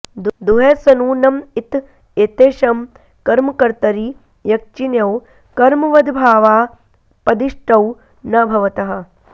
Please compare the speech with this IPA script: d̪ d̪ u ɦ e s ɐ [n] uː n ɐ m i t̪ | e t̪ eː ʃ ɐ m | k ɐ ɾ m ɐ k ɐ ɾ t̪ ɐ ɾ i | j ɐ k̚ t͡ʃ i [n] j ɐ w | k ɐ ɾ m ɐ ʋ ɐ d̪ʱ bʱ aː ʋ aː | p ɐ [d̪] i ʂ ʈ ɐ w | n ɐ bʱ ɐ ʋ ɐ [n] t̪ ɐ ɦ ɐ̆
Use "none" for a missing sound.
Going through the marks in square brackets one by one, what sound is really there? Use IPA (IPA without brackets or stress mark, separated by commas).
n, n, d̪, none